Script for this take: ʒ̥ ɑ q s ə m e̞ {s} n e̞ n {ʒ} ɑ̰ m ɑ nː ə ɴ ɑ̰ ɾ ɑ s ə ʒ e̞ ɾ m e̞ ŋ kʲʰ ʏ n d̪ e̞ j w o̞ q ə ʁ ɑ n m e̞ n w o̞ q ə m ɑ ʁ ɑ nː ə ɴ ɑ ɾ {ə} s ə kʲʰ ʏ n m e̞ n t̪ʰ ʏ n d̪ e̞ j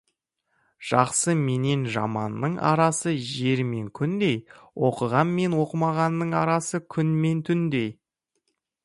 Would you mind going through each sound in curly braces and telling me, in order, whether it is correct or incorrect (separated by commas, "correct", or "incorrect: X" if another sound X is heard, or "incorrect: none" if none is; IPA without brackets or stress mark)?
incorrect: none, correct, incorrect: ɑ